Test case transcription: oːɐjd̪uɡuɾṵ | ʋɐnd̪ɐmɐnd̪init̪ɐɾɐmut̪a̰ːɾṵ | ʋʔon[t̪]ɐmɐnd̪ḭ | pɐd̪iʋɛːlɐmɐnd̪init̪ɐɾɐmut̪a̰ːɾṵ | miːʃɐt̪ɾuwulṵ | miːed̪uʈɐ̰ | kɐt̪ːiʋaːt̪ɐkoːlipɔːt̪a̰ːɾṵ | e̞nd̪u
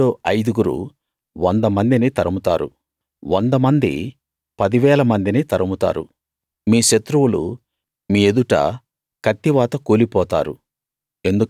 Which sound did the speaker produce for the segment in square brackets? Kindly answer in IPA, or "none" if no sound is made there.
d̪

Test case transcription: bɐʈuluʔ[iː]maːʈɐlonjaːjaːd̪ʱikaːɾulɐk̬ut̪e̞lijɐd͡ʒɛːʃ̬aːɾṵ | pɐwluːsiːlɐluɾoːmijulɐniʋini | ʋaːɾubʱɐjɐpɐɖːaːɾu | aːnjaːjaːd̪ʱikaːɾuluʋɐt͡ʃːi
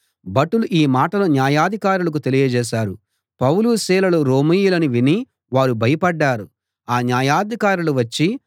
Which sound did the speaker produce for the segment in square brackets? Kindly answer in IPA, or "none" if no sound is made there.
iː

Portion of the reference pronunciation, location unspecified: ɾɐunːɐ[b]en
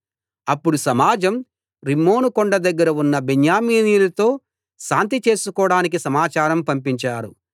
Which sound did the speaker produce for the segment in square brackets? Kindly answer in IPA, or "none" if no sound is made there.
b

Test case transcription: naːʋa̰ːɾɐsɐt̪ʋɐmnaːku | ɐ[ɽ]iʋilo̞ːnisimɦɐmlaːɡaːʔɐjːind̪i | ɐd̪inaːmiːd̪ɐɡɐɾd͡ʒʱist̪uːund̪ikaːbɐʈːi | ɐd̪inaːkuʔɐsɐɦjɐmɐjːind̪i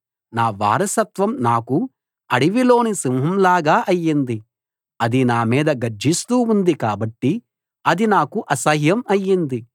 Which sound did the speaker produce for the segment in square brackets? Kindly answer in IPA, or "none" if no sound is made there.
ɽ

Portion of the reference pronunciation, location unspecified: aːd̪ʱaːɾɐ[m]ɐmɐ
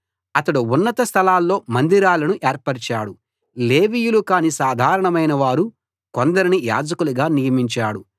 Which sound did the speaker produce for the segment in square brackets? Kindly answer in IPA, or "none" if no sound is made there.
ɳ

